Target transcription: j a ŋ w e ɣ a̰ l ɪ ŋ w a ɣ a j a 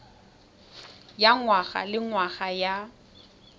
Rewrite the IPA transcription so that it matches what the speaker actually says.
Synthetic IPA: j a ŋ w a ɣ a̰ l ɪ ŋ w a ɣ a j a

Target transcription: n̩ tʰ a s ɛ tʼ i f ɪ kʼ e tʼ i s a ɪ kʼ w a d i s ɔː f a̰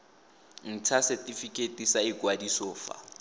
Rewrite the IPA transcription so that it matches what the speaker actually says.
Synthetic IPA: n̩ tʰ a s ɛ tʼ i f i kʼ e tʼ i s a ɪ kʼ w a d i s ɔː f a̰

